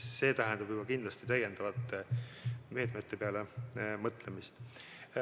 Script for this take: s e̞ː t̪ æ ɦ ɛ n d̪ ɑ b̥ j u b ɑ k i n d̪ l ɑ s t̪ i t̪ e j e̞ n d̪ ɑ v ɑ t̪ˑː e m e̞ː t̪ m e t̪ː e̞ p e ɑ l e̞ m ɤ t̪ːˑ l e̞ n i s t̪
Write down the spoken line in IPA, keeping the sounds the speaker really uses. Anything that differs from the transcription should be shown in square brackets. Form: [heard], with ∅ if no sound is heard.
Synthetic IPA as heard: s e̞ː t̪ æ ɦ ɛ n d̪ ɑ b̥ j u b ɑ k i n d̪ l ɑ s t̪ i t̪ [æ] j e̞ n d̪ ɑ v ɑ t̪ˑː e m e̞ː t̪ m e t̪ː e̞ p e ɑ l e̞ m ɤ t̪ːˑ l e̞ [m] i s t̪